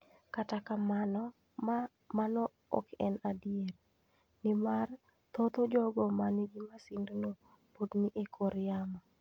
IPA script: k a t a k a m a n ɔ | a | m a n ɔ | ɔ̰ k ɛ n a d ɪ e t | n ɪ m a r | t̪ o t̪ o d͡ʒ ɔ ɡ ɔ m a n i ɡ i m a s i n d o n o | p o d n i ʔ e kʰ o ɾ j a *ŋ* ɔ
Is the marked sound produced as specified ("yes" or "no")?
no